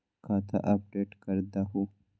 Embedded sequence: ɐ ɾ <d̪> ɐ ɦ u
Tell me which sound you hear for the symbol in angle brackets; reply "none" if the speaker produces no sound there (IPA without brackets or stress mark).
d̪